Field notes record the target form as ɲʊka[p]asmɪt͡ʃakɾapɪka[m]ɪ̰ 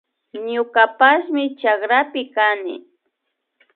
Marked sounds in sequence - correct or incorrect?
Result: correct, incorrect: n

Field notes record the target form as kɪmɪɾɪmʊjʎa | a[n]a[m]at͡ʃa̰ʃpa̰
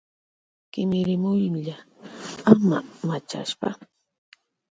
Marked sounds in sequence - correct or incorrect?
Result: incorrect: m, correct

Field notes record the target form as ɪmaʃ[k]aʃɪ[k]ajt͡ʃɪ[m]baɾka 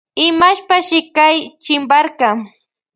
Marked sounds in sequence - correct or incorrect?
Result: incorrect: p, correct, correct

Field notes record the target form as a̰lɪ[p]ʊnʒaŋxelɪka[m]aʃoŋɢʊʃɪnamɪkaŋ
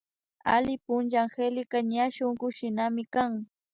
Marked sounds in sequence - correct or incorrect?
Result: correct, incorrect: ɲ

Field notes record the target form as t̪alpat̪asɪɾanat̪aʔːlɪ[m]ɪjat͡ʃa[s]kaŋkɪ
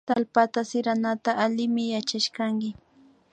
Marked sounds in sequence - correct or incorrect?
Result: correct, incorrect: ʃ

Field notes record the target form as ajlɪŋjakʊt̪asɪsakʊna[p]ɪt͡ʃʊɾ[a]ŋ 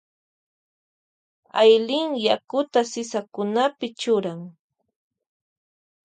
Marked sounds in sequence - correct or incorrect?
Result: correct, correct

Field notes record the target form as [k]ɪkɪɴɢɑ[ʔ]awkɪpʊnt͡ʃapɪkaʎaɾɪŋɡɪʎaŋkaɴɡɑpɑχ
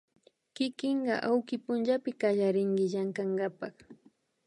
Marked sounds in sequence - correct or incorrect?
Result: correct, correct

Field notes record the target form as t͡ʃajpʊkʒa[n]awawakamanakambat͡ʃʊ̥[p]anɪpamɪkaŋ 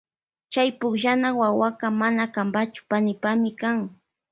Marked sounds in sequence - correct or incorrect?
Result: correct, correct

